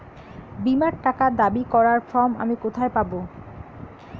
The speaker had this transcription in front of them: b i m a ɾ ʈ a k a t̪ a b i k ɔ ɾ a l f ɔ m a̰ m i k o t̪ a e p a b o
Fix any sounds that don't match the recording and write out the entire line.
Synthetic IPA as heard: b i m a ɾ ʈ a k a d̪ a b i k ɔ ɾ a ɾ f ɔ m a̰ m i k o t̪ʰ a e p a b o